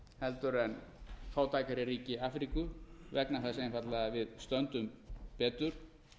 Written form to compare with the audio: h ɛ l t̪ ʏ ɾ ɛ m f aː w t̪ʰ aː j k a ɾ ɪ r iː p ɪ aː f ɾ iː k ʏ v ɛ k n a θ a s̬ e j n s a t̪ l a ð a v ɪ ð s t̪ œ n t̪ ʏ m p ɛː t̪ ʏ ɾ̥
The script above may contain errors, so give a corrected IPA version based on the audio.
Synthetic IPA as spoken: h ɛ l t̪ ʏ ɾ ɛ n f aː w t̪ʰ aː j k a ɾ ɪ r iː c ɪ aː f ɾ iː k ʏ v ɛ k n a θ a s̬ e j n f a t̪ l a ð a v ɪ ð s t̪ œ n t̪ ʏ m p ɛː t̪ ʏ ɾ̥